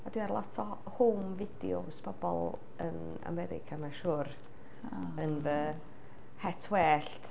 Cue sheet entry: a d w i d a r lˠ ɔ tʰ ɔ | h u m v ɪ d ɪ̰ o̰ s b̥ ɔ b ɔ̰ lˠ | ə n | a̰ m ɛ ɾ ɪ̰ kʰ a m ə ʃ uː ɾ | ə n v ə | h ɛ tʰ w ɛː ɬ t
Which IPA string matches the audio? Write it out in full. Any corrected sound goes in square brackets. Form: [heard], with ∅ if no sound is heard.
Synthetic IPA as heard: a d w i [∅] a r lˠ ɔ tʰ ɔ | h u m v ɪ d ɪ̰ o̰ s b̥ ɔ b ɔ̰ lˠ | ə n | a̰ m ɛ ɾ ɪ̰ kʰ a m [a] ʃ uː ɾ | ə n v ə | h ɛ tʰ w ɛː ɬ t